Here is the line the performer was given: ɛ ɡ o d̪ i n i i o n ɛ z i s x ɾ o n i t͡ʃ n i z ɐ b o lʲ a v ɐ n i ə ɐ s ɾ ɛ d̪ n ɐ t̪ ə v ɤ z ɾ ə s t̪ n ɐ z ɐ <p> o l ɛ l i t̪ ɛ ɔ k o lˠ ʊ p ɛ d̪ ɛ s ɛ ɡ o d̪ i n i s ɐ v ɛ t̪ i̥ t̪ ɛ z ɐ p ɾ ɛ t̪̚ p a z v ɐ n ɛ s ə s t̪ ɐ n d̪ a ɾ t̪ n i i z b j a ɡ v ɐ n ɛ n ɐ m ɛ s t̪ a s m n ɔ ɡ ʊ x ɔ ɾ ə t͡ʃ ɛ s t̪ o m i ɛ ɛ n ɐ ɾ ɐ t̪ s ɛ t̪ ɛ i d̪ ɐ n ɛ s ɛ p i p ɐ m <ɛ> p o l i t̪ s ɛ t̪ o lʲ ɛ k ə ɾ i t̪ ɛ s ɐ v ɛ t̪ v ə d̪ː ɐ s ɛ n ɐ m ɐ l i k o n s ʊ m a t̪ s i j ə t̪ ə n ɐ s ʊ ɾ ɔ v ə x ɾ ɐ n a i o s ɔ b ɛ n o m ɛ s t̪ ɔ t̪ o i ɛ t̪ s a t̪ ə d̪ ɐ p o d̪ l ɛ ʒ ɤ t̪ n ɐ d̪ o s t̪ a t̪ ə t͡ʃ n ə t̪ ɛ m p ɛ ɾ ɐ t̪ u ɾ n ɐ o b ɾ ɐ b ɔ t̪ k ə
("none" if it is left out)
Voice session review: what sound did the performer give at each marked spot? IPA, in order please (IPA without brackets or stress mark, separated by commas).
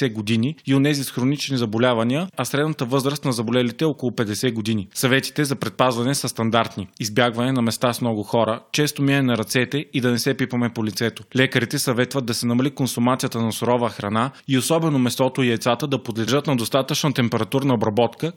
b, ɛ